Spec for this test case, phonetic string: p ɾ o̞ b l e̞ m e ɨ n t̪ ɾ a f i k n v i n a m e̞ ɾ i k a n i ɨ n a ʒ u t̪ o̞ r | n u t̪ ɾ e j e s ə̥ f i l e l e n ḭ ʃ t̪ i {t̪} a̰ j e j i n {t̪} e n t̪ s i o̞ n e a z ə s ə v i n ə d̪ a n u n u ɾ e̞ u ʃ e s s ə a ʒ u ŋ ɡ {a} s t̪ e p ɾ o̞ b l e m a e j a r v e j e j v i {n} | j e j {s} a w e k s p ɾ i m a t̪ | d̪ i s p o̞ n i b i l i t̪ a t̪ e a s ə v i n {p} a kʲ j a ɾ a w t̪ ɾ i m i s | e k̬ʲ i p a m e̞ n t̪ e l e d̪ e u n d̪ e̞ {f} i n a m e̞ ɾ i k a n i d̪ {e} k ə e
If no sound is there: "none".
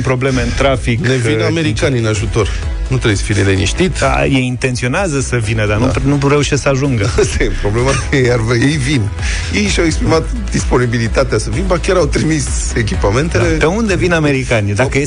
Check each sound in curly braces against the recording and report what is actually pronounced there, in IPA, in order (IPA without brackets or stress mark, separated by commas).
t̪, t̪, ə, n, ʃ, b, v, a